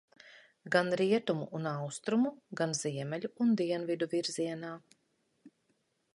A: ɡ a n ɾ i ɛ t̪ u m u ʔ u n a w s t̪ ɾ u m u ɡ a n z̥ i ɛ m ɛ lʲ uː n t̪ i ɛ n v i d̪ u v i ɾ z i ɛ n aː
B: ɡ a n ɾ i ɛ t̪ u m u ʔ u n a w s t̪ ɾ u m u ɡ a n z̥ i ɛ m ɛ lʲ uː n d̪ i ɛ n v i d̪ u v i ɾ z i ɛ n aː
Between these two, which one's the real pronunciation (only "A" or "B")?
B